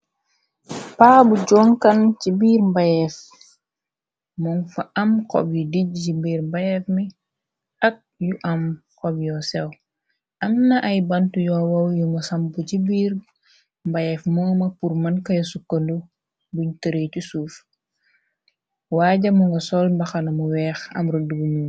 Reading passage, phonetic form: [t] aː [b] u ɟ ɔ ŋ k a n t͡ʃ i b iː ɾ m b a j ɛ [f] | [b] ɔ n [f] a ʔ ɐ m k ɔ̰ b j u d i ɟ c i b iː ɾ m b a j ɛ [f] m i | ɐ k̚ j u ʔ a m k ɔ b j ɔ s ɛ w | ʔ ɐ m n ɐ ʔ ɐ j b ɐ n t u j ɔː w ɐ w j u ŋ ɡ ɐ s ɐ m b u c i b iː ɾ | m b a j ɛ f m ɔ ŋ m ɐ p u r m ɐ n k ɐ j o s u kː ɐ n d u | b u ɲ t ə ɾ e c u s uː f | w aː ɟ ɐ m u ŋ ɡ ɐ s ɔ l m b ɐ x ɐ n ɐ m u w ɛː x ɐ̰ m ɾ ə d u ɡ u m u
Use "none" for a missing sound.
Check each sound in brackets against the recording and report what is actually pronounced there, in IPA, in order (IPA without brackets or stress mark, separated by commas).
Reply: p, b, f, m, f, f